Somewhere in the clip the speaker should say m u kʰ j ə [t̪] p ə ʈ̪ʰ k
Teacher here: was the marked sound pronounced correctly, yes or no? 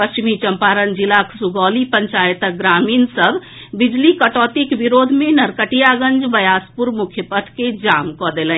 no